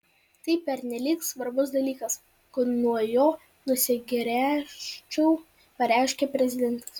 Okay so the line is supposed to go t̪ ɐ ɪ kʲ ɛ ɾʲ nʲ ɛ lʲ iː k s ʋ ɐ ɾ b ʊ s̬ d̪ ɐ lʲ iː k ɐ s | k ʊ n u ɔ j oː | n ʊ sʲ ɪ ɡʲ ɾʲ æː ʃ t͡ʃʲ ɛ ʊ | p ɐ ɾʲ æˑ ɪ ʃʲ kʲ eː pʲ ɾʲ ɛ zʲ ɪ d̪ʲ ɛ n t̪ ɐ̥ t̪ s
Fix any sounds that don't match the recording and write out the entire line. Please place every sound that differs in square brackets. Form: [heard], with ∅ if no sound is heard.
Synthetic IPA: t̪ ɐ ɪ [pʲ] ɛ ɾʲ nʲ ɛ lʲ iː k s ʋ ɐ ɾ b ʊ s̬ d̪ ɐ lʲ iː k ɐ s | k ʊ n u ɔ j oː | n ʊ sʲ ɪ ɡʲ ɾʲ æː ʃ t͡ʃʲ ɛ ʊ | p ɐ ɾʲ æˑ ɪ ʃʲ kʲ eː pʲ ɾʲ ɛ zʲ ɪ d̪ʲ ɛ n t̪ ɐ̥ [∅] s